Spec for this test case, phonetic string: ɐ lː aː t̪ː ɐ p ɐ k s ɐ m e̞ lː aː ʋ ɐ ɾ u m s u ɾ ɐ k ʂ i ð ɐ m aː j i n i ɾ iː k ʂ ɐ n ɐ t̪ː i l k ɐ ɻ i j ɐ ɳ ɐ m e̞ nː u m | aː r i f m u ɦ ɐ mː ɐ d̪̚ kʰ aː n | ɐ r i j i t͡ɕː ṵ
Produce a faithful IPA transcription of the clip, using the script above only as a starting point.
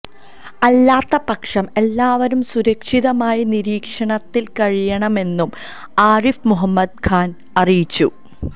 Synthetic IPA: ɐ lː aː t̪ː ɐ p ɐ k ʂ ɐ m e̞ lː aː ʋ ɐ ɾ u m s u ɾ ɐ k ʂ i ð ɐ m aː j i n i ɾ iː k ʂ ɐ ɳ ɐ t̪ː i l k ɐ ɻ i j ɐ ɳ ɐ m e̞ nː u m | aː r i f m u ɦ ɐ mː ɐ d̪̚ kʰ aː n | ɐ r i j i t͡ɕː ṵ